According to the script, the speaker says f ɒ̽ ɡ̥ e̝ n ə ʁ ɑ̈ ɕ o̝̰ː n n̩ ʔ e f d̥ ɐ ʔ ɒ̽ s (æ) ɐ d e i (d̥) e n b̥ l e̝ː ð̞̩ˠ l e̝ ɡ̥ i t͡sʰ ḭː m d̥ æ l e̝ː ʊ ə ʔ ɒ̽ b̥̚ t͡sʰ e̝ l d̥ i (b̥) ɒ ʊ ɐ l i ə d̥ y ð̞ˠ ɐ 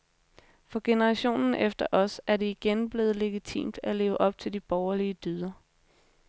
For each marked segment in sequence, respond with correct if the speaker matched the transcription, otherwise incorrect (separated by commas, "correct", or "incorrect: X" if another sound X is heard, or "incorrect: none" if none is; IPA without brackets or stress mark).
correct, incorrect: ɡ̥, correct